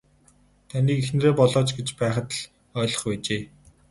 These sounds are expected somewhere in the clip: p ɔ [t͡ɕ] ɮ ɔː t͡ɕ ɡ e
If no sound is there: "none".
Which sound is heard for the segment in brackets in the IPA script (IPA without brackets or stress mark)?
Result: none